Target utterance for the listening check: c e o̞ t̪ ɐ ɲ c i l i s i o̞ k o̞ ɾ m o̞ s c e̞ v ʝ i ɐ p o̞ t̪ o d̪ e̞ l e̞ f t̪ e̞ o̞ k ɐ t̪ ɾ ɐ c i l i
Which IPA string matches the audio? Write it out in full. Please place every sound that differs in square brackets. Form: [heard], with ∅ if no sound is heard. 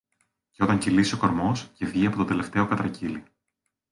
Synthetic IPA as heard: c e o̞ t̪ ɐ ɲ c i l i s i o̞ k o̞ ɾ m o̞ s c e̞ v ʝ i ɐ p o̞ t̪ o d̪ e̞ l e̞ f t̪ e̞ o̞ k ɐ t̪ ɾ ɐ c i l i